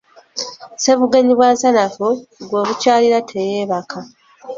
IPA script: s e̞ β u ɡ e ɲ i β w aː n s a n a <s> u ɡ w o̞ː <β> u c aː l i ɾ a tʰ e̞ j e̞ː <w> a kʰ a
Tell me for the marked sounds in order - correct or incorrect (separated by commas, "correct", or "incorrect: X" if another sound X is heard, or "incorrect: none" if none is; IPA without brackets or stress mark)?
incorrect: f, correct, incorrect: β